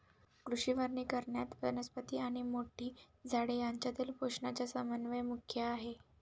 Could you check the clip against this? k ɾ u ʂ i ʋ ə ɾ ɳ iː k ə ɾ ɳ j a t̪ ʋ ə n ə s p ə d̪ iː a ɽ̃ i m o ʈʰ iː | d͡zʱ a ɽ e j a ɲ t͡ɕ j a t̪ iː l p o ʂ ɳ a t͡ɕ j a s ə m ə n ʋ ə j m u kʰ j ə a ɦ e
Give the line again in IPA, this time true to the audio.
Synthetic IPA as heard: k ɾ u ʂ i ʋ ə ɾ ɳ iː k ə ɾ ɳ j a t̪ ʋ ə n ə s p ə t̪ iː a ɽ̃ i m o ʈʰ iː | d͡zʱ a ɽ e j a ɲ t͡ɕ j a t̪ iː l p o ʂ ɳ a t͡ɕ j a s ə m ə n ʋ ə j m u kʰ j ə a ɦ e